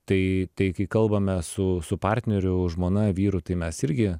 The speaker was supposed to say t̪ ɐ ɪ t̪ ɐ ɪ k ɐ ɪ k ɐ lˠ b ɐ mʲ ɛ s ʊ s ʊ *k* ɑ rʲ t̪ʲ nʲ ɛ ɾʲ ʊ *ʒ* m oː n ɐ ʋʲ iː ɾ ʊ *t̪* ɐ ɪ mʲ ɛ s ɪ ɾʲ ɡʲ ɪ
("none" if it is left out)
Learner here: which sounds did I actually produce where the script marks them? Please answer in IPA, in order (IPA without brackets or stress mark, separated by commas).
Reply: p, ʒ, t̪